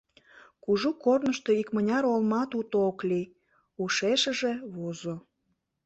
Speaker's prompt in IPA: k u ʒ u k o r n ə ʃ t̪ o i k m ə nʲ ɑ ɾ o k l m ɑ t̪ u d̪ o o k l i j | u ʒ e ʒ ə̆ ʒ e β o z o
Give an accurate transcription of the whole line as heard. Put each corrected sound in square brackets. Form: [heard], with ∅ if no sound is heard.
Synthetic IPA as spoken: k u ʒ u k o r n ə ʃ t̪ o i k m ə nʲ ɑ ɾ o [∅] l m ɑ t̪ u [t̪] o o k l i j | u [ʃ] e [ʃ] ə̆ ʒ e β o z o